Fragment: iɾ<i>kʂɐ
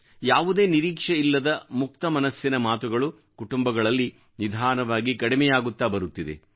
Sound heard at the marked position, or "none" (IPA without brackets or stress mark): iː